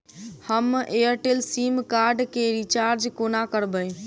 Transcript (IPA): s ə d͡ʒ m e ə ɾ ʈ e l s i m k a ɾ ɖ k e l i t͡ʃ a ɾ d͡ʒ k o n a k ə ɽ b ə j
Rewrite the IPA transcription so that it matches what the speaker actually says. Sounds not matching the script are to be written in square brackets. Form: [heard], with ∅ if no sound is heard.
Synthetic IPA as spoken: [h] ə [∅] m e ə ɾ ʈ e l s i m k a ɾ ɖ k e [ɾ] i t͡ʃ a ɾ d͡ʒ k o n a k ə [ɾ] b ə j